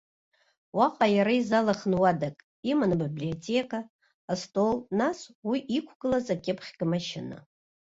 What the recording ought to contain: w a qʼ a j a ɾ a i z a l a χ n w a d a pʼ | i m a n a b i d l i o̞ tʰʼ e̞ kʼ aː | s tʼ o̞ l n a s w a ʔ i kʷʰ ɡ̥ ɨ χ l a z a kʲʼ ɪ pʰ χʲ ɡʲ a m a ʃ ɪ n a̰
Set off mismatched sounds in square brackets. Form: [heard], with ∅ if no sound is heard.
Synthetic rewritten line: w a qʼ a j a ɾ a i z a l a χ n w a d a [kʼ] | i m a n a b i [b] l i o̞ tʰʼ e̞ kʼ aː | s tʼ o̞ l n a s w [i] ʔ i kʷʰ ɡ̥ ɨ [∅] l a z a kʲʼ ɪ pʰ χʲ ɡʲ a m a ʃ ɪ n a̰